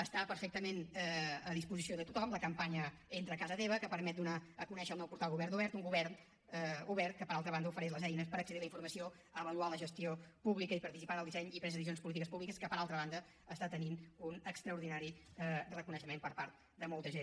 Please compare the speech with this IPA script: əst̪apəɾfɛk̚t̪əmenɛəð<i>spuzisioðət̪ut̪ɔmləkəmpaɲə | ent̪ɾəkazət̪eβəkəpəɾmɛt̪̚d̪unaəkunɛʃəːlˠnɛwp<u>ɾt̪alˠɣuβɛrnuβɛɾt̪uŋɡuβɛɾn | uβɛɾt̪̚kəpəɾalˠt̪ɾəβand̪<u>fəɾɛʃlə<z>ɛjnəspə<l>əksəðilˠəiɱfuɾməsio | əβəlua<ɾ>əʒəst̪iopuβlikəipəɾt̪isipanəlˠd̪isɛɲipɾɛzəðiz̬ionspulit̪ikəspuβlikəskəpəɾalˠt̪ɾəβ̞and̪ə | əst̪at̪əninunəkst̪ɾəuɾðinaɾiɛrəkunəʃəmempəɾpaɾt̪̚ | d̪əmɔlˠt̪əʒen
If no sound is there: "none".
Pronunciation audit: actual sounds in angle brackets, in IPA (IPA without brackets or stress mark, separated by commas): i, u, u, z, ɾ, l